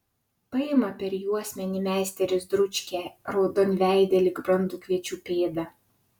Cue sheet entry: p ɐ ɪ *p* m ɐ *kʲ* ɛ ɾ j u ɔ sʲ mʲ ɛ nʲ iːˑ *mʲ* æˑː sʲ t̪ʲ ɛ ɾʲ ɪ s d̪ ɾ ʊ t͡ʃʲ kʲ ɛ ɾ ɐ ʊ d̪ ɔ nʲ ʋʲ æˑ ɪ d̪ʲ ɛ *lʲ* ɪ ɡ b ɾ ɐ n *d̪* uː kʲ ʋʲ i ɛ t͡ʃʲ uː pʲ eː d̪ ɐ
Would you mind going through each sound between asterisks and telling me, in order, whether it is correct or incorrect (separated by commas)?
incorrect, incorrect, correct, correct, correct